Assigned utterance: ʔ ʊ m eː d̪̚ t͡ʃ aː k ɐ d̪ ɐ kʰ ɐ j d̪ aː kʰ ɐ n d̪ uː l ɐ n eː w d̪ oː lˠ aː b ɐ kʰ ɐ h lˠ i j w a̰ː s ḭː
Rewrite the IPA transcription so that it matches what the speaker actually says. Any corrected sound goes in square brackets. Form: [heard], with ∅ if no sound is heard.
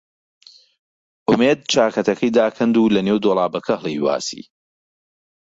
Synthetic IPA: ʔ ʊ m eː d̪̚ t͡ʃ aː k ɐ [t̪] ɐ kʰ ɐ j d̪ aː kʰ ɐ n d̪ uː l ɐ n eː w d̪ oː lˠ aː b ɐ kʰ ɐ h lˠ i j w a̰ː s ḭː